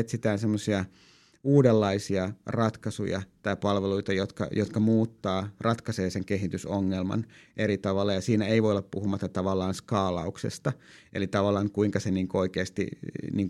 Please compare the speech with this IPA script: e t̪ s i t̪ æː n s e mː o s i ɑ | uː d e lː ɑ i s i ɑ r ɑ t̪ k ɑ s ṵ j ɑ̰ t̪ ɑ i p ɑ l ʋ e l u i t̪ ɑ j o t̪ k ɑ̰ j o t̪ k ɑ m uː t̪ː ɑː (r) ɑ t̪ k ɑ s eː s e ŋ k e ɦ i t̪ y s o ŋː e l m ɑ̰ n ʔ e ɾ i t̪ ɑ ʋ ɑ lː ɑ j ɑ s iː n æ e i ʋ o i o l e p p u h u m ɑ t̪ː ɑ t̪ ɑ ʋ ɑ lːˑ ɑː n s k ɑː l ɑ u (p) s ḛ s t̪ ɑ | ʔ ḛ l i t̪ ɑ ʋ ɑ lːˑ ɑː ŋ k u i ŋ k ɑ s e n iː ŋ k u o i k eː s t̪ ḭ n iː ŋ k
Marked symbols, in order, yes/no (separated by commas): yes, no